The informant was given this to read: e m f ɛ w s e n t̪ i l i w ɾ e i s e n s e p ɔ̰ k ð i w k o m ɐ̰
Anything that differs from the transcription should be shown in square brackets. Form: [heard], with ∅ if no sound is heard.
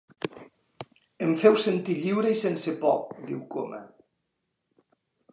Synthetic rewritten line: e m f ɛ w s e n t̪ i [ʎ] i w ɾ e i s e n s e p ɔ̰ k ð i w k o m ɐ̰